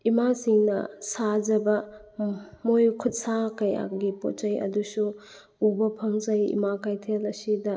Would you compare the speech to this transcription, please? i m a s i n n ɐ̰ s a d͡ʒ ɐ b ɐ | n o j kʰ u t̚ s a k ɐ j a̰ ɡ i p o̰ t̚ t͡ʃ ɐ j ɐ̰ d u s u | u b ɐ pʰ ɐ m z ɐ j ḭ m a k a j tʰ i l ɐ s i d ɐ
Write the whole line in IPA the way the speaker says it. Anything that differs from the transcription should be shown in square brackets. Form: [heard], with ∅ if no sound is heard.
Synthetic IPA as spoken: i m a s i [ŋ] n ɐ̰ s a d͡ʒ ɐ b ɐ | [m] o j kʰ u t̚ s a k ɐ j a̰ ɡ i p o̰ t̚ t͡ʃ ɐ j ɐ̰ d u s u | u b ɐ pʰ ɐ [ŋ] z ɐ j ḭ m a k a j tʰ [e] l ɐ s i d ɐ